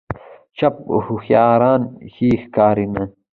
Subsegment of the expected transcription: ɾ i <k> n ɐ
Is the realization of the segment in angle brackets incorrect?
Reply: yes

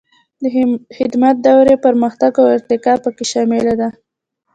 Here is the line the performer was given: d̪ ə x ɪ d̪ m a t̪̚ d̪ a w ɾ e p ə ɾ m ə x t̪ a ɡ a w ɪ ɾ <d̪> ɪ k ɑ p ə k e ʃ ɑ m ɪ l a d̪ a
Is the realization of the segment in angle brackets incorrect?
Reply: yes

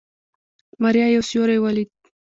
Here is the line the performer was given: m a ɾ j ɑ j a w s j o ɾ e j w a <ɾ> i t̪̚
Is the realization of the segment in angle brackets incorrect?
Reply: yes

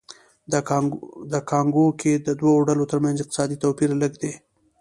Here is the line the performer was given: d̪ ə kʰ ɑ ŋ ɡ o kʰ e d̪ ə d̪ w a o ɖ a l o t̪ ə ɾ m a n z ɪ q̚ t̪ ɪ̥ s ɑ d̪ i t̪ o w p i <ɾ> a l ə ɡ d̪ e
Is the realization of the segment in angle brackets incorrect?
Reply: no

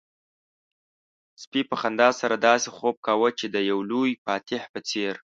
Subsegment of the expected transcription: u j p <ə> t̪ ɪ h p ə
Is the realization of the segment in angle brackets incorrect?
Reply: yes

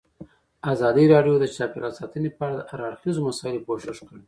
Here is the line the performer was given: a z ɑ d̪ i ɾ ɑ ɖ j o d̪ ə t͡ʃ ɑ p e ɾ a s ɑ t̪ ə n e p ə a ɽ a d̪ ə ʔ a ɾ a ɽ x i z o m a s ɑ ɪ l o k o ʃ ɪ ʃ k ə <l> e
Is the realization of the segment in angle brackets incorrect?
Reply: yes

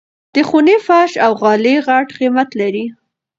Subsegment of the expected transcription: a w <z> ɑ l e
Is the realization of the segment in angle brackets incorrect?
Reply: yes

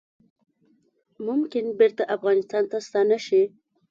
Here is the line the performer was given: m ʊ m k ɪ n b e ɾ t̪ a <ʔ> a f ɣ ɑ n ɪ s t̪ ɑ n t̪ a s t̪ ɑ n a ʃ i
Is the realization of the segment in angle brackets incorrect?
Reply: no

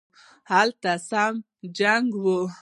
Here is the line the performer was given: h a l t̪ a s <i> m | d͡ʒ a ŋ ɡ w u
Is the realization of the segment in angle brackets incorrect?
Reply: yes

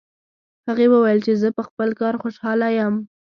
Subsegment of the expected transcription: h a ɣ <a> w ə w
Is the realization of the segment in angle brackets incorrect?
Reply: yes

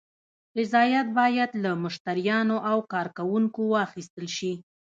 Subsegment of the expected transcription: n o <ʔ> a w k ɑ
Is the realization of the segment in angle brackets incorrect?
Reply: no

